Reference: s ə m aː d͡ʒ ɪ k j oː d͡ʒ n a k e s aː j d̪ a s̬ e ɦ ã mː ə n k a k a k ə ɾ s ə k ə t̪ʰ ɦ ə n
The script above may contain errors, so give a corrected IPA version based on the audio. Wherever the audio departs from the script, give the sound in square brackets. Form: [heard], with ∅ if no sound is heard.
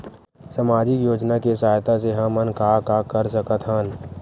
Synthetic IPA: s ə m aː d͡ʒ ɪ k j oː d͡ʒ n a k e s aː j [t̪] a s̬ e ɦ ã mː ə n k a k a k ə ɾ s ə k ə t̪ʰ ɦ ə n

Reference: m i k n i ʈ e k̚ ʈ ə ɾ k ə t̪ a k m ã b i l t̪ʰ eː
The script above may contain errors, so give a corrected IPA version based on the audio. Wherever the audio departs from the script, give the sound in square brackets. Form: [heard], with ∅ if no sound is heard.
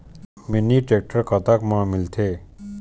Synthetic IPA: m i [∅] n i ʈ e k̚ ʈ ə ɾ k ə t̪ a k m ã [m] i l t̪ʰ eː

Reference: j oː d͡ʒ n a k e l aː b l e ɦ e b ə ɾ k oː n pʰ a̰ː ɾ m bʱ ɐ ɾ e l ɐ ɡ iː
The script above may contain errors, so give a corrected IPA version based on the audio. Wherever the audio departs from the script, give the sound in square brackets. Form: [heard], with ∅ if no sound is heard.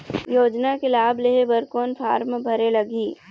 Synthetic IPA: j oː d͡ʒ n a k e l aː b l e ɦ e b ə ɾ k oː n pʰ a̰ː ɾ m bʱ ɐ ɾ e l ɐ ɡ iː

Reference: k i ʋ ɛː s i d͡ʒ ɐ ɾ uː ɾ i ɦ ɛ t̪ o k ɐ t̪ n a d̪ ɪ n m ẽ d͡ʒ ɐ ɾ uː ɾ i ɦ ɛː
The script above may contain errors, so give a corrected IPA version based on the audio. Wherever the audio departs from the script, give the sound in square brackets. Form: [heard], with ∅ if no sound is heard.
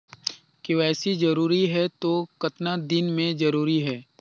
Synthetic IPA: k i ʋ ɛː s i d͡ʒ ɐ ɾ uː ɾ i ɦ ɛ t̪ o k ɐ t̪ n a d̪ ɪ n m ẽ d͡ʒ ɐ ɾ uː ɾ i ɦ ɛː

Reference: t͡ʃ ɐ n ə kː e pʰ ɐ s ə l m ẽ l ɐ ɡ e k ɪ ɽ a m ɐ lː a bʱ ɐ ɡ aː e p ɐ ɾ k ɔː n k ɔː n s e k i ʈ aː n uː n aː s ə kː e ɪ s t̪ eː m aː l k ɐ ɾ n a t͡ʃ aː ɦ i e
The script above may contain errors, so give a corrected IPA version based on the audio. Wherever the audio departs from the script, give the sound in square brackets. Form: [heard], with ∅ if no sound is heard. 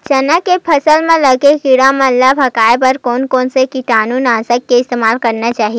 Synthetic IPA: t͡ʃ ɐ n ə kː e pʰ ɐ s ə l m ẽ l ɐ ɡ e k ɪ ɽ a m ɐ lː a bʱ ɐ [k] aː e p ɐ ɾ k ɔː n k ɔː n s e k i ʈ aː n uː n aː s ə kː e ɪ s t̪ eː m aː l k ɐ ɾ n a t͡ʃ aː ɦ i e

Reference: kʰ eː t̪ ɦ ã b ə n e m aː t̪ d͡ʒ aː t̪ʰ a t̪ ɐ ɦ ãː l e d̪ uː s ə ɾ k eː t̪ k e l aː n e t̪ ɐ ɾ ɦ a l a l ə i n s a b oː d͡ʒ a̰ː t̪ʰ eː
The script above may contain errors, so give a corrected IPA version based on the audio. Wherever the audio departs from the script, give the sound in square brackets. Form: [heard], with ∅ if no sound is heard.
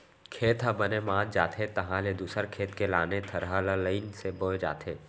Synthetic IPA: kʰ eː t̪ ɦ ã b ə n e m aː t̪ d͡ʒ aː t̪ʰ [e] t̪ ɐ ɦ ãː l e d̪ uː s ə ɾ [kʰ] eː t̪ k e l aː n e [t̪ʰ] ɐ ɾ ɦ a l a l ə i n s [e] b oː d͡ʒ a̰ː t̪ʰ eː

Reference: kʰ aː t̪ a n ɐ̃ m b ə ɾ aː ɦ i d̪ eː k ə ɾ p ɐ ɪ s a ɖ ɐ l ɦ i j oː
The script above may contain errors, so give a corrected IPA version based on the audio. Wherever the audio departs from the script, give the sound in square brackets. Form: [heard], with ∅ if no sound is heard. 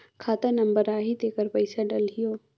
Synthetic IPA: kʰ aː t̪ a n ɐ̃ m b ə ɾ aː ɦ i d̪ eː k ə ɾ p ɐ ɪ s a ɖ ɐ l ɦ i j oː

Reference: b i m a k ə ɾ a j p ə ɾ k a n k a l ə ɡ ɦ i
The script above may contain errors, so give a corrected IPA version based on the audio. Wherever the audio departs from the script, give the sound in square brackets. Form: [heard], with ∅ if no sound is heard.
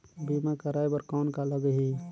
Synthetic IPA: b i m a k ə ɾ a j [b] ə ɾ k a n k a l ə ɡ ɦ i

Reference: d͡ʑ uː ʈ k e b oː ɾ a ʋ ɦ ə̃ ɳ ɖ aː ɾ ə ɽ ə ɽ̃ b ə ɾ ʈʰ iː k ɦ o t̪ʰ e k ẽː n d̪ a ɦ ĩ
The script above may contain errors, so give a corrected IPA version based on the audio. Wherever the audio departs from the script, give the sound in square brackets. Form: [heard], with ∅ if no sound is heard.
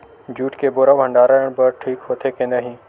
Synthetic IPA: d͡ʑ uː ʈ k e b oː ɾ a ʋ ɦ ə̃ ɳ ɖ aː ɾ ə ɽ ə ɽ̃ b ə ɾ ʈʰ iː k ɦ o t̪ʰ e k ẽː n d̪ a ɦ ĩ

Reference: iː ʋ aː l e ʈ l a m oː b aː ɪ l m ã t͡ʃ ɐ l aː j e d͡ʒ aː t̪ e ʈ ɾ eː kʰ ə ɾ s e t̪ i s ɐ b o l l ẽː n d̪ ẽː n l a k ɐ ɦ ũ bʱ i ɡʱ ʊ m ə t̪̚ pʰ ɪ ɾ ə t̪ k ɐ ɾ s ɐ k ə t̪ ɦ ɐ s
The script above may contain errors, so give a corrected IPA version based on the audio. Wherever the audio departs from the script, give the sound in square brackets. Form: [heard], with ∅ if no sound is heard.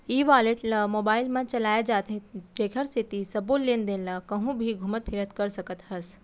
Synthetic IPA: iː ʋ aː l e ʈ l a m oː b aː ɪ l m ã t͡ʃ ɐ l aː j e d͡ʒ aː t̪ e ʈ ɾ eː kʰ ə ɾ s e t̪ i s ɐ b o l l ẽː n d̪ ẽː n l a k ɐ ɦ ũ bʱ i ɡʱ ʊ m ə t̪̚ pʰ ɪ ɾ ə t̪ k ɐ ɾ s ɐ k ə t̪ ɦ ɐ s

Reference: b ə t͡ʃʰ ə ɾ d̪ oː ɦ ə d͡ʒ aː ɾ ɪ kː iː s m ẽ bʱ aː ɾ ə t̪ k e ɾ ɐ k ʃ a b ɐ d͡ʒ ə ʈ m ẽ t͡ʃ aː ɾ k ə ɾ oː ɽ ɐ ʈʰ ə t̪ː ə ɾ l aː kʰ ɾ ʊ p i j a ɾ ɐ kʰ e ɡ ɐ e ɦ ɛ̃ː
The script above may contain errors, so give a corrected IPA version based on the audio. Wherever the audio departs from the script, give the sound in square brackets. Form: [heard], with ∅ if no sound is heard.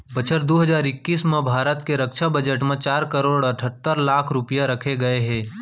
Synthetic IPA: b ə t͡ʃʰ ə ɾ d̪ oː ɦ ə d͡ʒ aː ɾ ɪ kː iː s m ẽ bʱ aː ɾ ə t̪ k e ɾ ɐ k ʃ a b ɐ d͡ʒ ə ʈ m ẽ t͡ʃ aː ɾ k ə ɾ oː ɽ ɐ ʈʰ ə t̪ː ə ɾ l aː kʰ ɾ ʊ p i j a ɾ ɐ kʰ e ɡ ɐ e ɦ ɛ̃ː

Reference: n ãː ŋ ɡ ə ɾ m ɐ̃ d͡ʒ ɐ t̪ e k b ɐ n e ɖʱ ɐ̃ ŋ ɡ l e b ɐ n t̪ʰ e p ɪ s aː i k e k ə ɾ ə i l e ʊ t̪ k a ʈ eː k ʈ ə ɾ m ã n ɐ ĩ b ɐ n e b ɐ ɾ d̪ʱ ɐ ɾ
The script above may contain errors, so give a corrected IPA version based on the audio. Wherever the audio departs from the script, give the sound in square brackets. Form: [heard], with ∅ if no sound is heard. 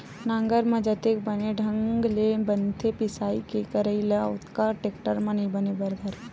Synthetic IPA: n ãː ŋ ɡ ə ɾ m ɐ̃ d͡ʒ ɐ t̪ e k b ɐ n e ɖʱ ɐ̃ ŋ ɡ l e b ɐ n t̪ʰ e p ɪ s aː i k e k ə ɾ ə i l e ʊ t̪ k a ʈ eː k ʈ ə ɾ m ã n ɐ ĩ b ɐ n e b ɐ ɾ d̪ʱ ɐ ɾ

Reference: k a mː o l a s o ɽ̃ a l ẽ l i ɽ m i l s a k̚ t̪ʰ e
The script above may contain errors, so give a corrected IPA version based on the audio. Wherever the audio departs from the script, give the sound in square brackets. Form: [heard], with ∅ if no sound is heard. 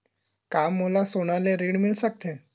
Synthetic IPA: k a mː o l a s o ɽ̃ a l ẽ [ɾ] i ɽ m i l s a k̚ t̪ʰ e

